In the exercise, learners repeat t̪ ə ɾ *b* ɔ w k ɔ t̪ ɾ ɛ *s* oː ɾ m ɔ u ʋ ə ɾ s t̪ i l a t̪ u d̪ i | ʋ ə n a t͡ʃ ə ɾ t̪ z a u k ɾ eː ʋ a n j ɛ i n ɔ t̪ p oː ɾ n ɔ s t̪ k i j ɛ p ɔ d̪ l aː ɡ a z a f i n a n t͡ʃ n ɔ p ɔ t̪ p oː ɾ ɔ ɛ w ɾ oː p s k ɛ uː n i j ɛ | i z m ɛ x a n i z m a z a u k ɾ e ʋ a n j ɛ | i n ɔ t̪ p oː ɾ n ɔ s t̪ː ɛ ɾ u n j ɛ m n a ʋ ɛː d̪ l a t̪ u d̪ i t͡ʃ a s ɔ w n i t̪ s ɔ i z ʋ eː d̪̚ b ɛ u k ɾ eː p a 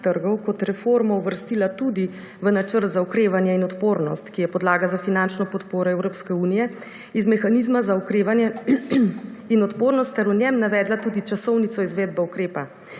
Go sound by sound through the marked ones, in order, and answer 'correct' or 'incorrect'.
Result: incorrect: ɡ, incorrect: f

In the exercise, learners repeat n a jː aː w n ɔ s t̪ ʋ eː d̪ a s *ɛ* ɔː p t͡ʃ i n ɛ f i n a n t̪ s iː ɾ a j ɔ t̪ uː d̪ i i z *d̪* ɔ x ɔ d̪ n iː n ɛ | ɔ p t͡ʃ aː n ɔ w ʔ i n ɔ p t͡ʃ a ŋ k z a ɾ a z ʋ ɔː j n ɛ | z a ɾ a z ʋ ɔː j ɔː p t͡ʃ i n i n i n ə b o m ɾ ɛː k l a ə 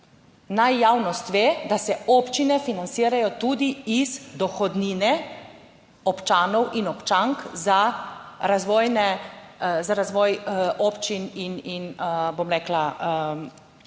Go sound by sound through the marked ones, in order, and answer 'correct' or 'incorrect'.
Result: correct, correct

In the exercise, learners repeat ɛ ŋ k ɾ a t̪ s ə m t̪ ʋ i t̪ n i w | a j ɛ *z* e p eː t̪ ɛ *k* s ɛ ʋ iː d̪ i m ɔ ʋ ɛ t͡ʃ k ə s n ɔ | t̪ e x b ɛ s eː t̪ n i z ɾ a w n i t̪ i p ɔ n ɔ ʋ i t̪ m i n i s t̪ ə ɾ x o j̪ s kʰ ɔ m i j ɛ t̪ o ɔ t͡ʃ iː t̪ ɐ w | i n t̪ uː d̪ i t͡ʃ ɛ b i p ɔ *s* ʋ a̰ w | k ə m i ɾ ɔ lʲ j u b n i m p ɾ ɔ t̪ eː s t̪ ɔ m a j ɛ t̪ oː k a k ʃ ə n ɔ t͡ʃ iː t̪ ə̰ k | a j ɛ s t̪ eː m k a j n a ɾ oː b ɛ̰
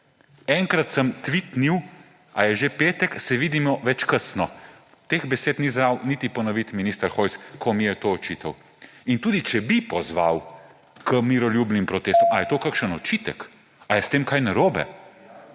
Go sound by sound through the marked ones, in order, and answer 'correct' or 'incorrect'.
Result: incorrect: ʒ, correct, incorrect: z

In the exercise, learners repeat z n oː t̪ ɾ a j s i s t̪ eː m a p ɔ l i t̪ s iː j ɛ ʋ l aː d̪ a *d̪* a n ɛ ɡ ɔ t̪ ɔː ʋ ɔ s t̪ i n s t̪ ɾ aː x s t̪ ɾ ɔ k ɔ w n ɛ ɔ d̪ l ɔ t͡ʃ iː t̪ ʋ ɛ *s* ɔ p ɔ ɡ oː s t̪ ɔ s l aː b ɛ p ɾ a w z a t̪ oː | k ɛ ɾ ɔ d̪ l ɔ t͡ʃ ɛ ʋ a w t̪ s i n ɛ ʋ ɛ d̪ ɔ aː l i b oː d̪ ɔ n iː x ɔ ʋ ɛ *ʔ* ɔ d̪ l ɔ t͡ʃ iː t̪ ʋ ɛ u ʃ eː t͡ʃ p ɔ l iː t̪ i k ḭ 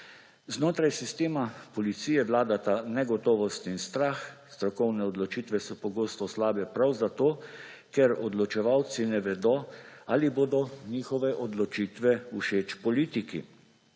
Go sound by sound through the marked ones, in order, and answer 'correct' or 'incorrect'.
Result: incorrect: t̪, correct, correct

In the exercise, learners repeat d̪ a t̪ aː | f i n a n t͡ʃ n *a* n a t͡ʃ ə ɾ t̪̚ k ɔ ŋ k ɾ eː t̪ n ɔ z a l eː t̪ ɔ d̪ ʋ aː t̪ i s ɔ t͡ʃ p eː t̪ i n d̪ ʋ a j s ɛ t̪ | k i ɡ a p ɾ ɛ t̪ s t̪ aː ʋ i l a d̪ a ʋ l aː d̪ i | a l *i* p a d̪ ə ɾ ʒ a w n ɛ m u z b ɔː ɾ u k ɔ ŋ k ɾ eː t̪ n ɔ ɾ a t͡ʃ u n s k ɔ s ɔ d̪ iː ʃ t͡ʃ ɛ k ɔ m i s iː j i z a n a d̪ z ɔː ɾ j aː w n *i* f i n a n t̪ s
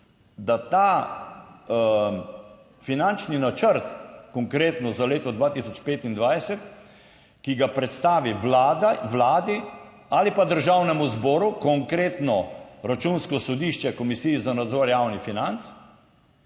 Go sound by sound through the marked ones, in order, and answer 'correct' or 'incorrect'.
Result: incorrect: i, correct, correct

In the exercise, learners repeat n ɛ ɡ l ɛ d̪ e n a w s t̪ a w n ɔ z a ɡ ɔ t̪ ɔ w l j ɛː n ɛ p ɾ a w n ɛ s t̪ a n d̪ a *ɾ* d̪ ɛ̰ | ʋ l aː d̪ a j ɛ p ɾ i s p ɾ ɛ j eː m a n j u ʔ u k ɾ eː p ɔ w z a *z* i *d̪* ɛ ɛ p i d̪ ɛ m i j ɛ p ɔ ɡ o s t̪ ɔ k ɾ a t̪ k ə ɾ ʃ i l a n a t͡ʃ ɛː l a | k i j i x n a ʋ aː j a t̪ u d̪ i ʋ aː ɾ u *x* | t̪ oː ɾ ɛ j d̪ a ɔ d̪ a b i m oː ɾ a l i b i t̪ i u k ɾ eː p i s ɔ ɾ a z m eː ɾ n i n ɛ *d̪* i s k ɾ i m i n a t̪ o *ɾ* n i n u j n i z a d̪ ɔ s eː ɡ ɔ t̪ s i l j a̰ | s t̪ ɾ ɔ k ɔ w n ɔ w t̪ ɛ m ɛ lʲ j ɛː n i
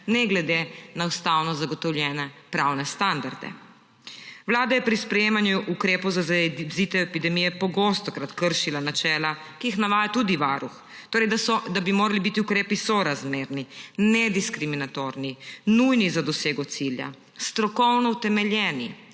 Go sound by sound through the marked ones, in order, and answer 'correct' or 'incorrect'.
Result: correct, correct, incorrect: t̪, correct, correct, correct

